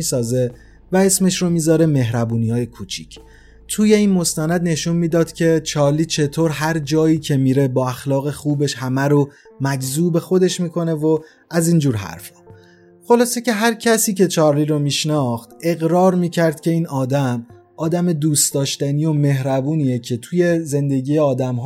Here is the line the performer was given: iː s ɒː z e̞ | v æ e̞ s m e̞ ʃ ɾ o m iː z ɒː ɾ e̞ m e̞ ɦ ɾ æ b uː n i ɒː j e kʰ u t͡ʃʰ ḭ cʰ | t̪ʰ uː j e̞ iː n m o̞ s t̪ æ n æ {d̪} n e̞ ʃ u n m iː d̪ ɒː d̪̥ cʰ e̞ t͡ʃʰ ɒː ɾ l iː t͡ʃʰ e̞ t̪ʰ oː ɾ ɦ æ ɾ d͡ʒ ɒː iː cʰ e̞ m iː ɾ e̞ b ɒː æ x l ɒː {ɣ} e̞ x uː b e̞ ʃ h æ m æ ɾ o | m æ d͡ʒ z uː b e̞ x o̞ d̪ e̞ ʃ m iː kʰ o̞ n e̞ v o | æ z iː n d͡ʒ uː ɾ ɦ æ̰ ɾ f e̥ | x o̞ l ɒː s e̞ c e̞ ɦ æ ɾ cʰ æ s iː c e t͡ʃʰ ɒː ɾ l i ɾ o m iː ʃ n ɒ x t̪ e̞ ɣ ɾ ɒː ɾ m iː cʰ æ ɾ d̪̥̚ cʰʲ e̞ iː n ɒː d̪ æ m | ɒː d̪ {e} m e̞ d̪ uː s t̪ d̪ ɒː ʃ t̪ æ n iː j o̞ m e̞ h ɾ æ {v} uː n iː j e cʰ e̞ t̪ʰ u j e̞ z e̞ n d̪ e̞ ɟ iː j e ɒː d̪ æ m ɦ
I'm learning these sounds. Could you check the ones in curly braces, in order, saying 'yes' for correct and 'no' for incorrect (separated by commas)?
yes, yes, no, no